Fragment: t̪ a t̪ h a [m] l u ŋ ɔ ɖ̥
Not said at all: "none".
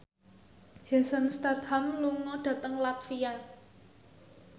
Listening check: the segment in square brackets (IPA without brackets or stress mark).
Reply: m